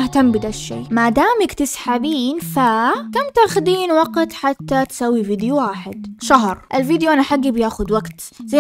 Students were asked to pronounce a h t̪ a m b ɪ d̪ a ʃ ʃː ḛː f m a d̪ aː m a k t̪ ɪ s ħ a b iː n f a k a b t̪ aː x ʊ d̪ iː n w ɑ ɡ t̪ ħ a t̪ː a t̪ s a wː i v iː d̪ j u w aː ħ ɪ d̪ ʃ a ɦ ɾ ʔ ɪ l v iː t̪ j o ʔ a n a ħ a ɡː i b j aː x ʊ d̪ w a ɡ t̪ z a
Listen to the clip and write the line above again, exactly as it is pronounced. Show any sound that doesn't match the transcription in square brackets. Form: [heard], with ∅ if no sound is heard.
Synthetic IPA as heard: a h t̪ a m b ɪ d̪ a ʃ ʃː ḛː [∅] m a d̪ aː m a k t̪ ɪ s ħ a b iː n f a k a [m] t̪ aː x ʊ d̪ iː n w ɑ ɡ t̪ ħ a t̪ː a t̪ s a wː i v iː d̪ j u w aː ħ ɪ d̪ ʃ a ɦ ɾ ʔ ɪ l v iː [d̪] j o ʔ a n a ħ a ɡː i b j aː x ʊ d̪ w a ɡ t̪ z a